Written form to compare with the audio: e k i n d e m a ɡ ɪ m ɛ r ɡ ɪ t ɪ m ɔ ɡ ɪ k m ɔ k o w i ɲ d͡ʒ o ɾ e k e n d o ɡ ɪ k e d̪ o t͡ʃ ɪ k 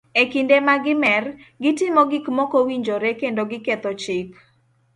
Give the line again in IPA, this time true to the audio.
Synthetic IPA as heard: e k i n d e m a ɡ ɪ m ɛ r ɡ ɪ t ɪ m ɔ ɡ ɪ k m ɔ k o w i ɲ d͡ʒ o ɾ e k e n d o ɡ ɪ k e t̪ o t͡ʃ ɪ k